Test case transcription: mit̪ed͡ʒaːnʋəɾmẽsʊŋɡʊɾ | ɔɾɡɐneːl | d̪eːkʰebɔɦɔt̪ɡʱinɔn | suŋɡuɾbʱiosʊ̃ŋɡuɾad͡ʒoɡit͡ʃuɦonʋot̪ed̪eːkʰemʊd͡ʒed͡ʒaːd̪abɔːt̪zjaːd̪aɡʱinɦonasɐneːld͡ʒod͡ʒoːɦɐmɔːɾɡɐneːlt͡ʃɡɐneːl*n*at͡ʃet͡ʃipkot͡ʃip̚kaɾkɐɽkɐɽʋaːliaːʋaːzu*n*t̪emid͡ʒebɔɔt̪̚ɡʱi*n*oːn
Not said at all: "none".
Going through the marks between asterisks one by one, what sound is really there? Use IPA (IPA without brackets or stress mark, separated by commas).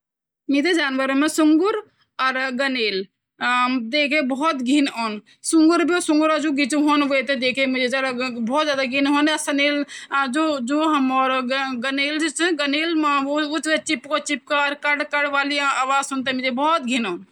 m, n, n